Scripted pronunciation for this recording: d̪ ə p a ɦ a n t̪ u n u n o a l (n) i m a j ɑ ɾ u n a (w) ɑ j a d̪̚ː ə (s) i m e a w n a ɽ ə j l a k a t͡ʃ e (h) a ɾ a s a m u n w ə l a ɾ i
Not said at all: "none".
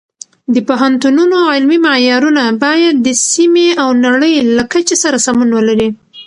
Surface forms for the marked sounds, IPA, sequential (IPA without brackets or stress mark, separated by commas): m, b, s, s